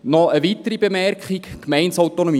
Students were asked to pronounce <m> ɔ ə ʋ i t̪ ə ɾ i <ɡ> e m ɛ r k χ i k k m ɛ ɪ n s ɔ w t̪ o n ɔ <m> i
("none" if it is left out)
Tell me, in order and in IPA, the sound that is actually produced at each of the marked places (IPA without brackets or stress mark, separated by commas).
n, b, m